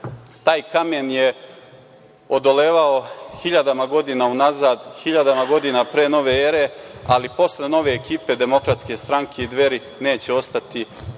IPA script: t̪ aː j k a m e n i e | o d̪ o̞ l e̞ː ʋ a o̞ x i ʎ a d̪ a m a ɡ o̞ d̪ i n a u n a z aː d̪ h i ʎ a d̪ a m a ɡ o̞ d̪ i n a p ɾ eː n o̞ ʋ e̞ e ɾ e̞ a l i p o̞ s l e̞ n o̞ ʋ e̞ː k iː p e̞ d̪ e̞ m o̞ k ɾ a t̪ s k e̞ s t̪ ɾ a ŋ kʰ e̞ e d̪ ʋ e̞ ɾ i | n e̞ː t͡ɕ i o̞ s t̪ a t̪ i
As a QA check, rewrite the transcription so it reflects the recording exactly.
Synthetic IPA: t̪ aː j k a m e n j e | o d̪ o̞ l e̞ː ʋ a o̞ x i ʎ a d̪ a m a ɡ o̞ d̪ i n a u n a z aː d̪ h i ʎ a d̪ a m a ɡ o̞ d̪ i n a p ɾ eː n o̞ ʋ e̞ e ɾ e̞ a l i p o̞ s l e̞ n o̞ ʋ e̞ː k iː p e̞ d̪ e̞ m o̞ k ɾ a t̪ s k e̞ s t̪ ɾ a ŋ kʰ e̞ i d̪ ʋ e̞ ɾ i | n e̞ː t͡ɕ e o̞ s t̪ a t̪ i